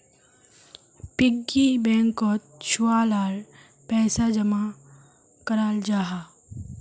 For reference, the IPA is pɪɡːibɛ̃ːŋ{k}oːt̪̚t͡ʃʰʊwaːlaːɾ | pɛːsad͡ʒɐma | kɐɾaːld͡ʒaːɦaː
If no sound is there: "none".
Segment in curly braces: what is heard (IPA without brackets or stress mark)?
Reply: k